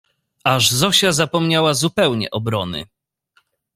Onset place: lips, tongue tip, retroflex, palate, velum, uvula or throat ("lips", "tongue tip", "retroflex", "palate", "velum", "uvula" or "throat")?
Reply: retroflex